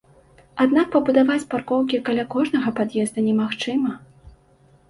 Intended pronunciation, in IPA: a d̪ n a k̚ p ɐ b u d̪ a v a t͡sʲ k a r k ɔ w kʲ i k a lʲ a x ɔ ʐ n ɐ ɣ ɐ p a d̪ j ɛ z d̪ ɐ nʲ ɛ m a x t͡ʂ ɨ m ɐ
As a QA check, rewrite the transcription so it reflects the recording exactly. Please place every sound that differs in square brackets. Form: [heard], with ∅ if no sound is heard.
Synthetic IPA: a d̪ n a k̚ p ɐ b u d̪ a v a t͡sʲ [p] a r k ɔ w kʲ i k a lʲ a [k] ɔ ʐ n ɐ ɣ ɐ p a d̪ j ɛ z d̪ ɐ nʲ ɛ m a x t͡ʂ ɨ m ɐ